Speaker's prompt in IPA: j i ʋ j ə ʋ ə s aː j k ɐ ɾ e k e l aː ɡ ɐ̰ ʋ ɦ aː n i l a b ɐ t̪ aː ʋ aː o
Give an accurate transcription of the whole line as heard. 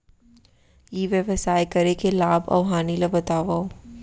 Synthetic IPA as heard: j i ʋ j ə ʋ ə s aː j k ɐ ɾ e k e l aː b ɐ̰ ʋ ɦ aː n i l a b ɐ t̪ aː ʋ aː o